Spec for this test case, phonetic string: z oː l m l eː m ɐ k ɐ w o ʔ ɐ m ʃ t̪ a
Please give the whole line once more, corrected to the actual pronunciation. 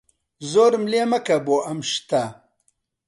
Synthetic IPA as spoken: z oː ɾ m l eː m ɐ k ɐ b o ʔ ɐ m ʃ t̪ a